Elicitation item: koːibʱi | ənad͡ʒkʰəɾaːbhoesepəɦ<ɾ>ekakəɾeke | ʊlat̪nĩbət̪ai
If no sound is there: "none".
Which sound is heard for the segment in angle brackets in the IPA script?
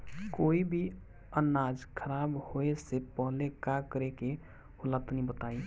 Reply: l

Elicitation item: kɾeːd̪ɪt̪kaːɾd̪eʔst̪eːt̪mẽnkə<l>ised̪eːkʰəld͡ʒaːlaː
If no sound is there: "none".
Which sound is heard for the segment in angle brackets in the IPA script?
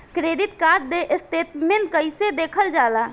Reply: none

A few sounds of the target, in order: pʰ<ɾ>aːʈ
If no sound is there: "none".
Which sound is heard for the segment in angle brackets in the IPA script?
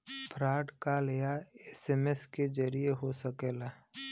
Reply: ɾ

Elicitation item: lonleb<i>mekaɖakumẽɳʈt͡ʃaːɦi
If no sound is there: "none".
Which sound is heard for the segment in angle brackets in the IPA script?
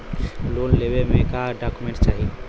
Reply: e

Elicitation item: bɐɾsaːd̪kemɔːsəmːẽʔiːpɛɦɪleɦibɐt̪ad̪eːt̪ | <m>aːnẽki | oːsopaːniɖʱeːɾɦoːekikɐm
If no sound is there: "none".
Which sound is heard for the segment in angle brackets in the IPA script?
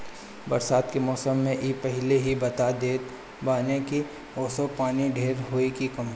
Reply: b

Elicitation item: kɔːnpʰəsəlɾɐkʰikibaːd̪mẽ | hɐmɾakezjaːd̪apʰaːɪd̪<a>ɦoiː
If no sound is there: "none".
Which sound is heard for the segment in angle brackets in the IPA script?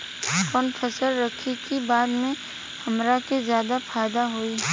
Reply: a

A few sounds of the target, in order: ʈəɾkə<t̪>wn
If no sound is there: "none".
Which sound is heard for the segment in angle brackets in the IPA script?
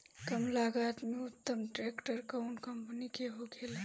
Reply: none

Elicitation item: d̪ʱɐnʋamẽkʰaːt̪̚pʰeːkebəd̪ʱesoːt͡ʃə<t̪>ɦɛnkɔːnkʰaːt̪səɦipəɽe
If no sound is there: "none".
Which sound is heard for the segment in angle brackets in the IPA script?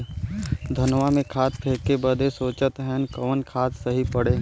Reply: t̪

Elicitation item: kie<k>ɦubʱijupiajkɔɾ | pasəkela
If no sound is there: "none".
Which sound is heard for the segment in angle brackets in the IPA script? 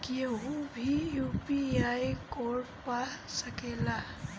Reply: none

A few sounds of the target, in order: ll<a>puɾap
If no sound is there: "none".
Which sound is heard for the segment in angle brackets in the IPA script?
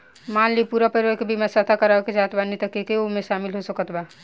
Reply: i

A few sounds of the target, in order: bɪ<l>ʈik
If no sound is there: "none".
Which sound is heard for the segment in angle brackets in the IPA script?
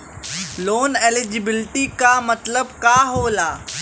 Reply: l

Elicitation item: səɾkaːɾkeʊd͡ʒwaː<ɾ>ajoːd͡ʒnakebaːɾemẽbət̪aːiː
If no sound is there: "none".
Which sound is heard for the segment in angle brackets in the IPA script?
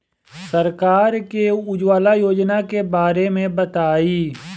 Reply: l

